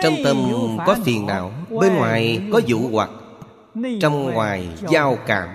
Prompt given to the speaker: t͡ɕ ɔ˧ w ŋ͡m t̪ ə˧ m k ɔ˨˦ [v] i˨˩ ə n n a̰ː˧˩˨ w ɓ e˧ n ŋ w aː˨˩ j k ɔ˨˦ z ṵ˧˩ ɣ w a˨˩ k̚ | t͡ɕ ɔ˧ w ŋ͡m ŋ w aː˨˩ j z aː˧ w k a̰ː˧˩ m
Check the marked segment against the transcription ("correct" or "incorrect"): incorrect